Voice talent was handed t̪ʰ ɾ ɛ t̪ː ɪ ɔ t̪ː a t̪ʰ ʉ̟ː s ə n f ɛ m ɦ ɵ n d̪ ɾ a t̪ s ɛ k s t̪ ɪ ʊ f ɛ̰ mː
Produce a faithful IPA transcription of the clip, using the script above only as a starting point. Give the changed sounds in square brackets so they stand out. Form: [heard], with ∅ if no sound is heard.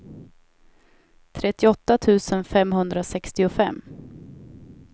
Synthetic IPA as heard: t̪ʰ ɾ ɛ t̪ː ɪ ɔ t̪ː a t̪ʰ ʉ̟ː s ə n f ɛ m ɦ ɵ n d̪ ɾ a [∅] s ɛ k s t̪ ɪ ʊ f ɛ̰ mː

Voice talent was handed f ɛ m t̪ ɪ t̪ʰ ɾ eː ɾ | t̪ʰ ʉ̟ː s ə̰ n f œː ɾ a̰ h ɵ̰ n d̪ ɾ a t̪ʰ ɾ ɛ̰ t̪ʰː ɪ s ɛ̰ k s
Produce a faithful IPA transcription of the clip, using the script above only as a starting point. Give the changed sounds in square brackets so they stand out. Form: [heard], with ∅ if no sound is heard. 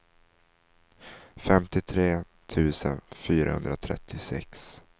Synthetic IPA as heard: f ɛ m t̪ ɪ t̪ʰ ɾ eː [∅] | t̪ʰ ʉ̟ː s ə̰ n f [yː] ɾ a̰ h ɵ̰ n d̪ ɾ a t̪ʰ ɾ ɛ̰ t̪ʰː ɪ s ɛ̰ k s

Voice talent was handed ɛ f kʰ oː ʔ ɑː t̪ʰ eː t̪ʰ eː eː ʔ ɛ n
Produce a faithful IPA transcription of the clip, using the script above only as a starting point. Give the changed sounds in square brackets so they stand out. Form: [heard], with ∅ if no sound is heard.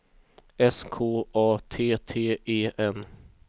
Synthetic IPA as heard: ɛ [s] kʰ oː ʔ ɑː t̪ʰ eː t̪ʰ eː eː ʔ ɛ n

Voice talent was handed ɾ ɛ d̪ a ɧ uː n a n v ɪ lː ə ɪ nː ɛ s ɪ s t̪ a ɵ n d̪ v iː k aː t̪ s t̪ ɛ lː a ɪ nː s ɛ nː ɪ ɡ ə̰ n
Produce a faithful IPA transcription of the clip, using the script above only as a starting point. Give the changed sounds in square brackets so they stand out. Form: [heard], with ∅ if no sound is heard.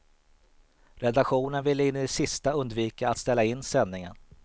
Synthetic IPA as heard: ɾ ɛ d̪ a ɧ uː n [ə] n v ɪ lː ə ɪ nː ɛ s ɪ s t̪ a ɵ n d̪ v iː k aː t̪ s t̪ ɛ lː a ɪ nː s ɛ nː ɪ [ŋ] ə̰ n

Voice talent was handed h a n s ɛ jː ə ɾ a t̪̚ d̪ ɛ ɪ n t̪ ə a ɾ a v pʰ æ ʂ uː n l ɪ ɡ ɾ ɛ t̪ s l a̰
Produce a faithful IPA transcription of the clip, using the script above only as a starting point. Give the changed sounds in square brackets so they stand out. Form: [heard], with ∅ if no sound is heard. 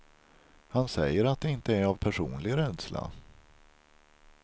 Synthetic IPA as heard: h a n s ɛ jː ə ɾ a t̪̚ d̪ ɛ ɪ n t̪ ə [æ] ɾ a v pʰ æ ʂ uː n l ɪ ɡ ɾ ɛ [d̪] s l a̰

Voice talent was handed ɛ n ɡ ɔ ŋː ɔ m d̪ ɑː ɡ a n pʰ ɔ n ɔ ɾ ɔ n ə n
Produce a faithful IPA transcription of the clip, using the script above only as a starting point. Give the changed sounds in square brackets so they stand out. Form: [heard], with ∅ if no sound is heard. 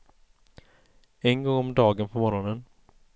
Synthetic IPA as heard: ɛ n ɡ ɔ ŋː ɔ m d̪ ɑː ɡ [ə] n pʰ ɔ [m] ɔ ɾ ɔ n ə n

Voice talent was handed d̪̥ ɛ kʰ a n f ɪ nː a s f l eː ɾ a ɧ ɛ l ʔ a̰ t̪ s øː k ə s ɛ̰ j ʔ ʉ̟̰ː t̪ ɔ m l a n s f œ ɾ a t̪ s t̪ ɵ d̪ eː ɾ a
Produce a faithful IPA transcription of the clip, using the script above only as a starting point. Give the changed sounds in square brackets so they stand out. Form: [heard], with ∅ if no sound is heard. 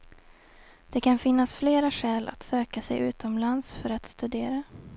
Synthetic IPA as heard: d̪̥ ɛ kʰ a n f ɪ nː a s f l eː ɾ a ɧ [ɛː] l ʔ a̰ t̪ s øː k [a] s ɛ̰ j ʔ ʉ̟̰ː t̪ ɔ m l a n s f œ ɾ a t̪ s t̪ ɵ d̪ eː ɾ a

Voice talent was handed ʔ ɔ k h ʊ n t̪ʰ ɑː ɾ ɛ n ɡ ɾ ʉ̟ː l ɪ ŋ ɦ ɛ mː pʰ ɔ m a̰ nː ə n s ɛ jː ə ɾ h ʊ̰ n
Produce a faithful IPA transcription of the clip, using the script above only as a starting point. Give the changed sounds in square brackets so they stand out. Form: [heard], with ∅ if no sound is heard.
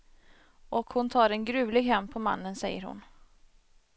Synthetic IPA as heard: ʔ ɔ k h ʊ n t̪ʰ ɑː ɾ ɛ n ɡ ɾ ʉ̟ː l ɪ [ɡ] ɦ ɛ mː pʰ ɔ m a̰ nː ə n s ɛ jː ə ɾ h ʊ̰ n

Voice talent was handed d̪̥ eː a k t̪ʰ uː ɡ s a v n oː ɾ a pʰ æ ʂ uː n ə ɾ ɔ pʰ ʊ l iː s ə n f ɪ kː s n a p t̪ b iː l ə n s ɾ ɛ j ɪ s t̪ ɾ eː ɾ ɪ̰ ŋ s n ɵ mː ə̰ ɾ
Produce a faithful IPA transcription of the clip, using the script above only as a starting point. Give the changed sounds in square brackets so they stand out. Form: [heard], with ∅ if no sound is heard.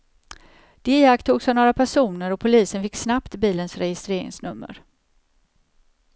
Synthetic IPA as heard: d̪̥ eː a k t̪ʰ uː ɡ s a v n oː ɾ a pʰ æ ʂ uː n ə ɾ ɔ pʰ ʊ l iː s ə n f ɪ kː s n a p t̪ b iː l ə n s ɾ ɛ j ɪ s t̪ ɾ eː ɾ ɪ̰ ŋ s n ɵ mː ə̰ ɾ

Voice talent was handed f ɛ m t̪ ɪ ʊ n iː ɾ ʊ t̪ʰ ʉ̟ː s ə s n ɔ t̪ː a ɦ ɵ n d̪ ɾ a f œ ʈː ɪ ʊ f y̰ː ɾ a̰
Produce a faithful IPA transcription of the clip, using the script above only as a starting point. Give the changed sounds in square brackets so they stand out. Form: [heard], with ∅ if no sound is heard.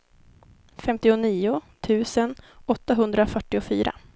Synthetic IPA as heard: f ɛ m t̪ ɪ ʊ n iː [∅] ʊ t̪ʰ ʉ̟ː s ə [∅] n ɔ t̪ː a ɦ ɵ n d̪ ɾ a f œ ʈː ɪ ʊ f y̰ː ɾ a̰

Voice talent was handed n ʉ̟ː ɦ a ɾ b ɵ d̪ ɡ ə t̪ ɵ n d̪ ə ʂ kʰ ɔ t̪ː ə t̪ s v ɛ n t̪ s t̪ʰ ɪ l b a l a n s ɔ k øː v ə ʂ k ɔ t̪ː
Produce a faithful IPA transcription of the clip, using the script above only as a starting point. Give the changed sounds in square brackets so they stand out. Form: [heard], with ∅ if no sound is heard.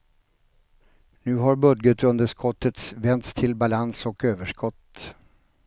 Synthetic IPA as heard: n ʉ̟ː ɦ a ɾ b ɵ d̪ ɡ ə t̪ ɵ n d̪ ə ʂ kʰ ɔ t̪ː ə t̪ s v ɛ n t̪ s t̪ʰ ɪ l b a l a n s ɔ k øː v ə ʂ k ɔ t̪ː

